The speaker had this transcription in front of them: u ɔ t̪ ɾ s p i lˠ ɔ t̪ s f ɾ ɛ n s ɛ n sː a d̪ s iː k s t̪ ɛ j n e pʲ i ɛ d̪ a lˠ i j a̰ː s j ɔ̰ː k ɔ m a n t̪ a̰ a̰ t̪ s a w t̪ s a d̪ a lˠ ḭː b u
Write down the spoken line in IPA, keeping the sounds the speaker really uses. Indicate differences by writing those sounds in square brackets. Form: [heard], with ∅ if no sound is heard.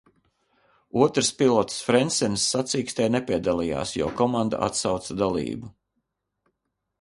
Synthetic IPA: u ɔ t̪ ɾ s p i lˠ ɔ t̪ s f ɾ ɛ n s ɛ n sː a [t̪] s iː k s t̪ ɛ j n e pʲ i ɛ d̪ a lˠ i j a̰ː s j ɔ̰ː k ɔ m a n [d̪] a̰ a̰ t̪ s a w t̪ s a d̪ a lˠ ḭː b u